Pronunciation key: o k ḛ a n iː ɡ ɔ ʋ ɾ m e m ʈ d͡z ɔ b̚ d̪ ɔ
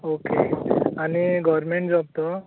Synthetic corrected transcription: o k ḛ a n i ɡ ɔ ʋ ɾ m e ɳ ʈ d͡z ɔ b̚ t̪ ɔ

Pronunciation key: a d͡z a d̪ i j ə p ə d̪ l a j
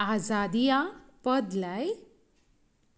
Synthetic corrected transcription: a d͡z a d̪ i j a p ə d̪ l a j

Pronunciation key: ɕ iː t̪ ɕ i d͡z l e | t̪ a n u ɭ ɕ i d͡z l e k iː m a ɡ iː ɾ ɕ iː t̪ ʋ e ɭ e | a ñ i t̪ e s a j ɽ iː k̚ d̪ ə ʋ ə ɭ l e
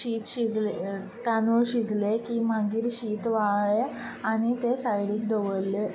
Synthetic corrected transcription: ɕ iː t̪ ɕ i d͡z l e | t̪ a n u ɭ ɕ i d͡z l e k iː m a ɡ iː ɾ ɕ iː t̪ ʋ a ɭ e | a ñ i t̪ e s a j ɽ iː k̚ d̪ ə ʋ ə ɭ l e

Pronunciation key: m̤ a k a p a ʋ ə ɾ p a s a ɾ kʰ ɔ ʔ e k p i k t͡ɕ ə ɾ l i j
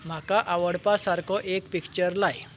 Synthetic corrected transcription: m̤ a k a ʔ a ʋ ə ɽ p a s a ɾ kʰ ɔ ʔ e k p i k t͡ɕ ə ɾ l a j

